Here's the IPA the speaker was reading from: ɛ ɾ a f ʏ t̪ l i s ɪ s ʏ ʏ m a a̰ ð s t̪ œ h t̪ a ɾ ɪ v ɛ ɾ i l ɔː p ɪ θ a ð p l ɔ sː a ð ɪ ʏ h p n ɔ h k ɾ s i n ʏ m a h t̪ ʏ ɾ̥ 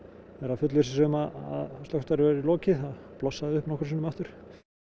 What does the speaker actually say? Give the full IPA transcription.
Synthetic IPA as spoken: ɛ ɾ a f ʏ t̪ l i s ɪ s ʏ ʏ m a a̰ ð s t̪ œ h t̪ a ɾ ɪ v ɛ ɾ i l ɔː c ɪ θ a ð p l ɔ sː a ð ɪ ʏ h p n ɔ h k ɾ s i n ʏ m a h t̪ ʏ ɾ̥